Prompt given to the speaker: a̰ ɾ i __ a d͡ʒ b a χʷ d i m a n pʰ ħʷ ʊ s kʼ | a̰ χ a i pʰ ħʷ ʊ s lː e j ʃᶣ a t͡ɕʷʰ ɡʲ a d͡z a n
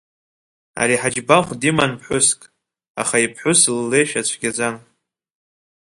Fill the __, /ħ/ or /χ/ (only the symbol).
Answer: ħ